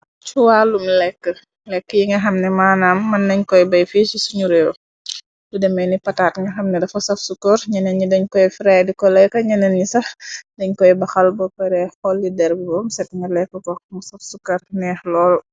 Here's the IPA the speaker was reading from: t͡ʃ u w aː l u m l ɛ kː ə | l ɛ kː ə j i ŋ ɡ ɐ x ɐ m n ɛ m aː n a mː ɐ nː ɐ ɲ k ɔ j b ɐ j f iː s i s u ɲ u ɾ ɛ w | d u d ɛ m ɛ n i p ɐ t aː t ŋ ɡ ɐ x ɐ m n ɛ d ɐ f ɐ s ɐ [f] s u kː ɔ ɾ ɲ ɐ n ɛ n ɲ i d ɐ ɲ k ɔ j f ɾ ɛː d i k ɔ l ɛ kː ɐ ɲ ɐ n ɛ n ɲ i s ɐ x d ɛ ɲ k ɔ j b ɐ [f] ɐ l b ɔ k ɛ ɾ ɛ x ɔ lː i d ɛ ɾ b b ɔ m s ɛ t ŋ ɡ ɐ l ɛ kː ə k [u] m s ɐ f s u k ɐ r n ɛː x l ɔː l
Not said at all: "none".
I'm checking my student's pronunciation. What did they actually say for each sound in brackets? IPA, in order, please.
f, x, ɔ

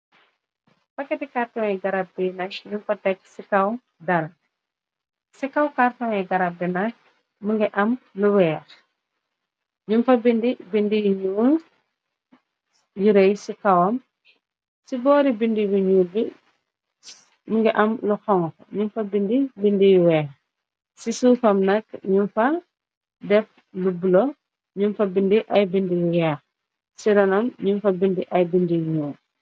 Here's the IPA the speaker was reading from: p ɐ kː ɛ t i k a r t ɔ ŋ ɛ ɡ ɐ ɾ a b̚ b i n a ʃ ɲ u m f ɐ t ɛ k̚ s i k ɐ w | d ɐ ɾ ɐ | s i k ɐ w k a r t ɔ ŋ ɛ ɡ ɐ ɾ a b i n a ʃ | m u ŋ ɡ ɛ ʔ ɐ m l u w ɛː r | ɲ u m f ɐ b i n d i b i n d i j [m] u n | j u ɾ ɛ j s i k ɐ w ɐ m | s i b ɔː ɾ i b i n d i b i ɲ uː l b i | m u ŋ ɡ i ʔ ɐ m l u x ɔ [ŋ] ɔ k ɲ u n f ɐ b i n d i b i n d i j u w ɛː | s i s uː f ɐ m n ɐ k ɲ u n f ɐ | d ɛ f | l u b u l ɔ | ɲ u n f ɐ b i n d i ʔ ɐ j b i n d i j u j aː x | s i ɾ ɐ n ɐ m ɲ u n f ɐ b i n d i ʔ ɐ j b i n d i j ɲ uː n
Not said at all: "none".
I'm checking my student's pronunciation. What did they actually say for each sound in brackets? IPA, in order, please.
ɲ, ŋ

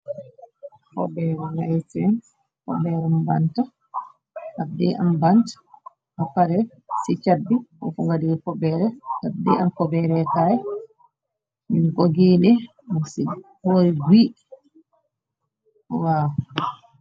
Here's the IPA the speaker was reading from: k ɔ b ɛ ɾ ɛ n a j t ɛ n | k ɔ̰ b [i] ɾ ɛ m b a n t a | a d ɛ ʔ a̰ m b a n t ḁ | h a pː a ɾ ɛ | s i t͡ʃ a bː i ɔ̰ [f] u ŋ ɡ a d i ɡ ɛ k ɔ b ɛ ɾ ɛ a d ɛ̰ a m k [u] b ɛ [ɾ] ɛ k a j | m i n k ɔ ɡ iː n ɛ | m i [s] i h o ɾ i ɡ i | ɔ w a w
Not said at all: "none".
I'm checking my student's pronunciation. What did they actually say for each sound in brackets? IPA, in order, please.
ɛ, f, ɔ, ɾ, s

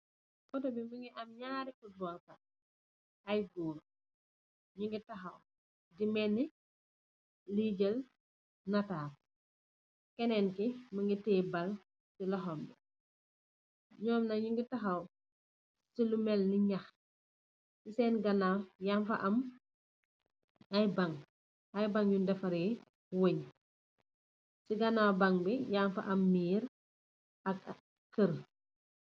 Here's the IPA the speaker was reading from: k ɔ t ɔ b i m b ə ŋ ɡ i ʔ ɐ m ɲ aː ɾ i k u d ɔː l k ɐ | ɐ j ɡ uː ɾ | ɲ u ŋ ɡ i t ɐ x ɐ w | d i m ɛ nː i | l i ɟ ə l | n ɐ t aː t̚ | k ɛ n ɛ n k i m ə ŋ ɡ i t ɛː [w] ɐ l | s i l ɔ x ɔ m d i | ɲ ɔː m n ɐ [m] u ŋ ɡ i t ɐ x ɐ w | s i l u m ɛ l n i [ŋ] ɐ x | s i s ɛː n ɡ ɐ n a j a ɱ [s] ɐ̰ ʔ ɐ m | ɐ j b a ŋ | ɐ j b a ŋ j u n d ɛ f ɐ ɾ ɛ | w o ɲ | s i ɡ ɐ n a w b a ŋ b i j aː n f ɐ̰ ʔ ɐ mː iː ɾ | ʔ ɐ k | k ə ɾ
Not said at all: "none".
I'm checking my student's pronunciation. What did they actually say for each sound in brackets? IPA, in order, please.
b, ɲ, ɲ, f

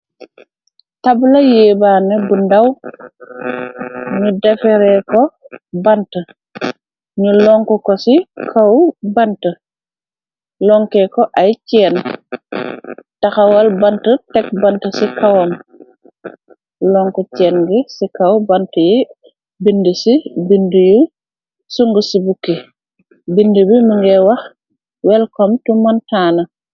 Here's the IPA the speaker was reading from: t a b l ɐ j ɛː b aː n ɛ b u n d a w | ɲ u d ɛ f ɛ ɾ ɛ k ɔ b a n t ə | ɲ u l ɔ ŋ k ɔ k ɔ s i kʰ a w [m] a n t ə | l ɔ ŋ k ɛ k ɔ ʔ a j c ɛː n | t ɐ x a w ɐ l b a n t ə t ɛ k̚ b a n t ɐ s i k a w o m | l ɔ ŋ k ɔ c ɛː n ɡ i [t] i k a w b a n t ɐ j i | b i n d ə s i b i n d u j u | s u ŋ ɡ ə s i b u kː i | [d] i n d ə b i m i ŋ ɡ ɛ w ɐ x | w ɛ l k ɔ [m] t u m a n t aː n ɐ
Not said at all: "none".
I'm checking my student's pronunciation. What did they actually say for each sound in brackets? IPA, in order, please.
b, s, b, m

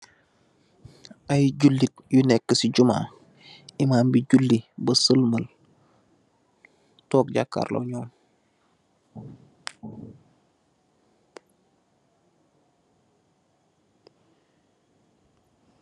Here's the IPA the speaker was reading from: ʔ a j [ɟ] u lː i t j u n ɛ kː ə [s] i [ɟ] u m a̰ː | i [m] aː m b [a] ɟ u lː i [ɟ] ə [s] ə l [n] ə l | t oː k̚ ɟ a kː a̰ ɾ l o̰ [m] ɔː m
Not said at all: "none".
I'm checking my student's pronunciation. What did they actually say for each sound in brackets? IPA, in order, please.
ɟ, s, ɟ, m, i, b, s, m, ɲ

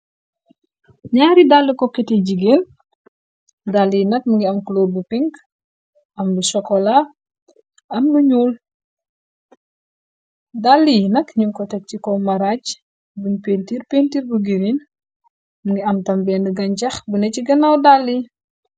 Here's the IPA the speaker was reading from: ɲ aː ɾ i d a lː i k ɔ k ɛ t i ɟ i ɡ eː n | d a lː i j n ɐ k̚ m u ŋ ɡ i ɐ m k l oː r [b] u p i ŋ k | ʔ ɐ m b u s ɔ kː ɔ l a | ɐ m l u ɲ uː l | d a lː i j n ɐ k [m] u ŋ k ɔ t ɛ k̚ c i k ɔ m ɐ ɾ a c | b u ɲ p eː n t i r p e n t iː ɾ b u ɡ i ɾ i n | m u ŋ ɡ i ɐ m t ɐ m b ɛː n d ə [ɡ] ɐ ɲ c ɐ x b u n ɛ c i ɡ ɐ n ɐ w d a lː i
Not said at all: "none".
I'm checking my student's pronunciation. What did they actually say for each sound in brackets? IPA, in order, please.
b, ɲ, ɡ

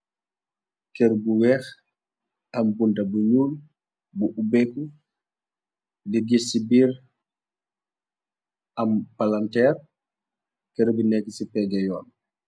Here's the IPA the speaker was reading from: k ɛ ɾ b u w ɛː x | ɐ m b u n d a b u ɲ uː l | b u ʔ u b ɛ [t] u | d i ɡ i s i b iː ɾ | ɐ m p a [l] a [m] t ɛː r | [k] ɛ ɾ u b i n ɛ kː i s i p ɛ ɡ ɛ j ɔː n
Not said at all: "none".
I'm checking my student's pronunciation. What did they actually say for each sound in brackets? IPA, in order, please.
k, l, n, k

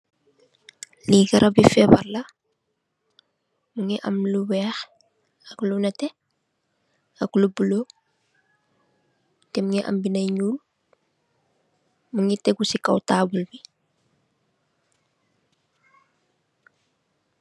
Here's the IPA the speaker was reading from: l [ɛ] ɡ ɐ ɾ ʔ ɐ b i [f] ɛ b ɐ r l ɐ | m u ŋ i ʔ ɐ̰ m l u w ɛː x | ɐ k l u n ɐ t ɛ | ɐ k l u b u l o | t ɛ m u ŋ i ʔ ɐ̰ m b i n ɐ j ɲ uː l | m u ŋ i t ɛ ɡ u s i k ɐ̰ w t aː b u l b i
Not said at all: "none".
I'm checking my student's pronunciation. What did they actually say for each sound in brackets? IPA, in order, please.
i, f

